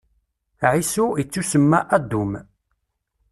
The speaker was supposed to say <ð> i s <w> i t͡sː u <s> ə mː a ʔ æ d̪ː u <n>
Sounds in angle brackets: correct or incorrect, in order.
incorrect, incorrect, correct, incorrect

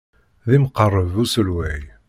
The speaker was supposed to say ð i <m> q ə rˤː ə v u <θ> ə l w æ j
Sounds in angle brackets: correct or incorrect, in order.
correct, incorrect

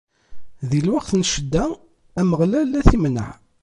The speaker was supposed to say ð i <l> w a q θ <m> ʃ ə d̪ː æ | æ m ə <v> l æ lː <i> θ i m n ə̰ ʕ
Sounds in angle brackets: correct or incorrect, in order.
correct, incorrect, incorrect, incorrect

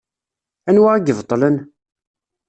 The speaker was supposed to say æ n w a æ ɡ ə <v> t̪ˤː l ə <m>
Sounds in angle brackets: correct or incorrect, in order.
correct, incorrect

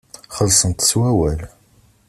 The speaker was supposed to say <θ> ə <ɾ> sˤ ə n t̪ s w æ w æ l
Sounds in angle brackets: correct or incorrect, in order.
incorrect, incorrect

